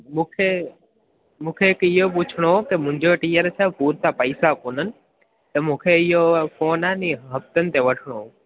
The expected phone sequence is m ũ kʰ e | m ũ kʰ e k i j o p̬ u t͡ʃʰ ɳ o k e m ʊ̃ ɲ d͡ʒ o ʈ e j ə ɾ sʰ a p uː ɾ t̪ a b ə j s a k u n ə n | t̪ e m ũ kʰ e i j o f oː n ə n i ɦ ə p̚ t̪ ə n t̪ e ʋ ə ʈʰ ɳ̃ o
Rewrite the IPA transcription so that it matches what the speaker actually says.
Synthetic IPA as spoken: m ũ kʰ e | m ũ kʰ e k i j o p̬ u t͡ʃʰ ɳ o k e m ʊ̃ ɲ d͡ʒ o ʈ i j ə ɾ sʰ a p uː ɾ t̪ a p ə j s a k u n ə n | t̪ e m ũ kʰ e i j o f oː n a n i ɦ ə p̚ t̪ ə n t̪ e ʋ ə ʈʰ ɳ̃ o